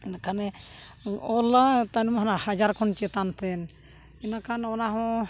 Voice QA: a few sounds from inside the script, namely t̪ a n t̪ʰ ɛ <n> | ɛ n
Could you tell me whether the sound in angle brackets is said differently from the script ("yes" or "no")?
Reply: no